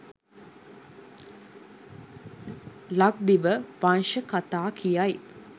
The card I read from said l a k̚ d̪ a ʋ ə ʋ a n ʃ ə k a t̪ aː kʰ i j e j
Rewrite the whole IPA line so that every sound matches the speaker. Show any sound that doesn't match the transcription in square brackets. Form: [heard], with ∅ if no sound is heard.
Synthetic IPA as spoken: l a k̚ d̪ [i] ʋ ə ʋ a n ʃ ə k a t̪ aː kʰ i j [a] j